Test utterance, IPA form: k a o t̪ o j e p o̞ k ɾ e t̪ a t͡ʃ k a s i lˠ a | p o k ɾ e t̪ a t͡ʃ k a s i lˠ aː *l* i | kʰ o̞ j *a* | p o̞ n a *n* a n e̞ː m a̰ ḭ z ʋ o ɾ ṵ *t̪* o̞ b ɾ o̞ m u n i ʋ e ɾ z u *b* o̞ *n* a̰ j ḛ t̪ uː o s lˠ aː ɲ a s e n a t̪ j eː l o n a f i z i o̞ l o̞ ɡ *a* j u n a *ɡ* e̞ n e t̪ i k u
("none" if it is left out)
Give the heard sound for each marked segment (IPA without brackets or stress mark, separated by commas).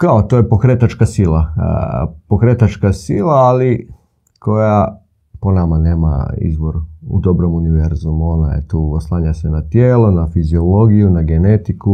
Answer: l, a, m, d̪, m, n, i, ɡ